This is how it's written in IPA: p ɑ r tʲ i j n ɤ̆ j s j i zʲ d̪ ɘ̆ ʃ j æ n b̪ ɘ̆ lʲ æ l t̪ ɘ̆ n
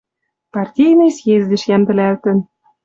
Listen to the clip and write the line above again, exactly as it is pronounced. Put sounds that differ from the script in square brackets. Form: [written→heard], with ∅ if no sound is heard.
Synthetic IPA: p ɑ r tʲ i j n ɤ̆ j s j [i→e] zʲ d̪ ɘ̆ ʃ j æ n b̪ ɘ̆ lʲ æ l t̪ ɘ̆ n